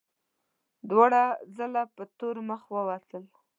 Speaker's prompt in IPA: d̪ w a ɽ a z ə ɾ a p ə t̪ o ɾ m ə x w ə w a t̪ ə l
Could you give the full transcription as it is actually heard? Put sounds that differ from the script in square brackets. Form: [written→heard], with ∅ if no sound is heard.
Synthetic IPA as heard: d̪ w a ɽ a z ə [ɾ→l] a p ə t̪ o ɾ m ə x w ə w a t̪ ə l